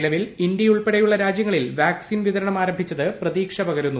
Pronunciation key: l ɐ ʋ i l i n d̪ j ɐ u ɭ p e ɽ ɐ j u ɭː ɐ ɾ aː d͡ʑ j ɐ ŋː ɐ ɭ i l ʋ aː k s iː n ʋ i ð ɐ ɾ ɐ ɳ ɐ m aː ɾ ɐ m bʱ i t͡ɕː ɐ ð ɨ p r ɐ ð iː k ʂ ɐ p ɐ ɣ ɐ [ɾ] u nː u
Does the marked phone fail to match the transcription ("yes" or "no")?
no